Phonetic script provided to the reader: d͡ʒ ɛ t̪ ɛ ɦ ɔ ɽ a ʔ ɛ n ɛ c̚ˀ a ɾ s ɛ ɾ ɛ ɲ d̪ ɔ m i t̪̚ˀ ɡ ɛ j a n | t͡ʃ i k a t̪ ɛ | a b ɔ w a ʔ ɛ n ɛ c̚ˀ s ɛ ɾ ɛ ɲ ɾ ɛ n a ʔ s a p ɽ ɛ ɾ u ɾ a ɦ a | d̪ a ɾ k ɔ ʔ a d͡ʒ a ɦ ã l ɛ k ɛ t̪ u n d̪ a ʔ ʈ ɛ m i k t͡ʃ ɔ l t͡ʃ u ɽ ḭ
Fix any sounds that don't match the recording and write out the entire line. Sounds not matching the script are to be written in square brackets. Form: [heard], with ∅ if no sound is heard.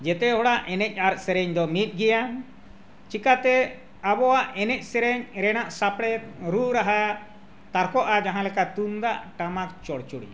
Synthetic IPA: d͡ʒ ɛ t̪ ɛ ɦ ɔ ɽ a ʔ ɛ n ɛ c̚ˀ a ɾ s ɛ ɾ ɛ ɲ d̪ ɔ m i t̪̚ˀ ɡ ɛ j a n | t͡ʃ i k a t̪ ɛ | a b ɔ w a ʔ ɛ n ɛ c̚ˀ s ɛ ɾ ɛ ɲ ɾ ɛ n a ʔ s a p ɽ ɛ ɾ u ɾ a ɦ a | [t̪] a ɾ k ɔ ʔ a d͡ʒ a ɦ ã l ɛ k [a] t̪ u n d̪ a ʔ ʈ [a] m [a] k t͡ʃ ɔ [ɽ] t͡ʃ u ɽ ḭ